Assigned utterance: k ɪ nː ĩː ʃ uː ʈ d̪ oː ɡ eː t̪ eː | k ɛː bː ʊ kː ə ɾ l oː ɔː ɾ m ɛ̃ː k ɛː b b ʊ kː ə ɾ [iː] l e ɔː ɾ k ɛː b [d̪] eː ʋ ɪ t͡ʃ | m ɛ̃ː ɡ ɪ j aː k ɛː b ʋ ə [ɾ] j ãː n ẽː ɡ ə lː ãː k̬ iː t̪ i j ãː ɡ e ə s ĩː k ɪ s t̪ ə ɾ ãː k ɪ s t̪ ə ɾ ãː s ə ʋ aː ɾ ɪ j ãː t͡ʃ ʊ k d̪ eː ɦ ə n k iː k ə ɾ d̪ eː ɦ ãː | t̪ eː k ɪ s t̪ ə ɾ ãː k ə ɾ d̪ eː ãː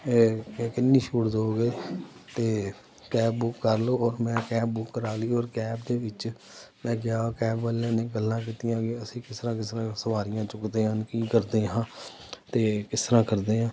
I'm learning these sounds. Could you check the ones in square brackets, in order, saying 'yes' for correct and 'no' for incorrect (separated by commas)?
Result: no, yes, no